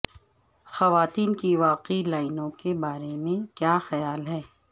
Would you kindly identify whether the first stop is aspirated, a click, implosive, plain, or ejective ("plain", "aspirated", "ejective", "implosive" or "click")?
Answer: plain